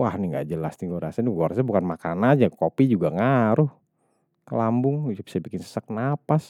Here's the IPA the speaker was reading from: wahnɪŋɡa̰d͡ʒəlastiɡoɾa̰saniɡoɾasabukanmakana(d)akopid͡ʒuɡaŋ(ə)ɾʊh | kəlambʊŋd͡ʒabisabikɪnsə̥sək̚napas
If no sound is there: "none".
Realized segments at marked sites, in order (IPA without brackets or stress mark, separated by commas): d͡ʒ, a